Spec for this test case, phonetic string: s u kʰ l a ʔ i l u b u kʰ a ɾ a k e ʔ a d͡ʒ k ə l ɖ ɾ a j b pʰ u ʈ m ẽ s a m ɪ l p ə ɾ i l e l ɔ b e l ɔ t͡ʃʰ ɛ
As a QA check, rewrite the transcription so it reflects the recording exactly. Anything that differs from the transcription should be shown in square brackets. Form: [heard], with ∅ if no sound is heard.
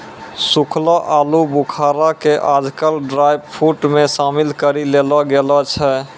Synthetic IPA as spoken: s u kʰ l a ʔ [a] l u b u kʰ a ɾ a k e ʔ a d͡ʒ k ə l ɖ ɾ a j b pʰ u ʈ m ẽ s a m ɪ l [k] ə ɾ i l e l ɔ [ɡ] e l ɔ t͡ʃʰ ɛ